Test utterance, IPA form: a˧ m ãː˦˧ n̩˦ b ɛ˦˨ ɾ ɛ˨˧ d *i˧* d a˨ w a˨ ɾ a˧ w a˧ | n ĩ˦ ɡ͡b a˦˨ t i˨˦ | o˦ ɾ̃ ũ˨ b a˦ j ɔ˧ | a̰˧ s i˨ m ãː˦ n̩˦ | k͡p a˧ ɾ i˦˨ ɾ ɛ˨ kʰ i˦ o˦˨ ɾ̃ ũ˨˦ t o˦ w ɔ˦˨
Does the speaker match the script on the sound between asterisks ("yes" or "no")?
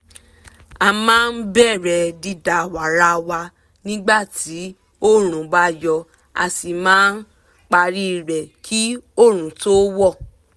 yes